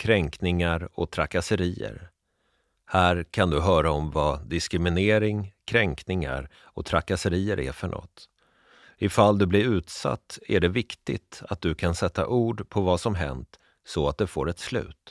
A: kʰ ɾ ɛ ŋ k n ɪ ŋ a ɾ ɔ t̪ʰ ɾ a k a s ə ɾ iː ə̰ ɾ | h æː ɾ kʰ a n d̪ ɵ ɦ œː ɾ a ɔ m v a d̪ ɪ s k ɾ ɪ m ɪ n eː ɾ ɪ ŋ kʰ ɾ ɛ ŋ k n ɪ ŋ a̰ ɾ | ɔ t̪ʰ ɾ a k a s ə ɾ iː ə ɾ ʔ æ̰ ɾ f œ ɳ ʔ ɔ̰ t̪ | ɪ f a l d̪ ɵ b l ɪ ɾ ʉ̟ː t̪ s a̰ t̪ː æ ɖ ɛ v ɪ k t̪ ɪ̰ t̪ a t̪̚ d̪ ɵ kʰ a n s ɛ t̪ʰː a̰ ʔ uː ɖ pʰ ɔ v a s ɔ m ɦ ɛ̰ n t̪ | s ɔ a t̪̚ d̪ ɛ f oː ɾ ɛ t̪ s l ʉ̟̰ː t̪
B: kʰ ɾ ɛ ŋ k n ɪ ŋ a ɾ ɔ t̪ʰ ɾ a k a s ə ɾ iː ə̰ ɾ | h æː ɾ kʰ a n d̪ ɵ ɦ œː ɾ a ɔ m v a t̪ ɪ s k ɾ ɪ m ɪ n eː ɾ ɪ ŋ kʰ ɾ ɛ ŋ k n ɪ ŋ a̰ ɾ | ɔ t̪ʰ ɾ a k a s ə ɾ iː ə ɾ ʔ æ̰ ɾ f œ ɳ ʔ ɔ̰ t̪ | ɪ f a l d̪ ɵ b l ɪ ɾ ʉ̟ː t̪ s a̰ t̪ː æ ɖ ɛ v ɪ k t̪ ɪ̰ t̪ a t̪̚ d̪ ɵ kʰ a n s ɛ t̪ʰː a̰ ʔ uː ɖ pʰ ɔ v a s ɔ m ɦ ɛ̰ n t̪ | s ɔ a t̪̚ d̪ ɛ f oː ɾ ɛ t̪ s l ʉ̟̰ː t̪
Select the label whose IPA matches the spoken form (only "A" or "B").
A